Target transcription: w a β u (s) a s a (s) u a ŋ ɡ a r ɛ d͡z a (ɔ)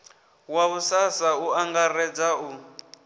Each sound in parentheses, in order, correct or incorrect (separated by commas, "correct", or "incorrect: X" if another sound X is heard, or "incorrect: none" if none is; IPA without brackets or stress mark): correct, incorrect: none, incorrect: u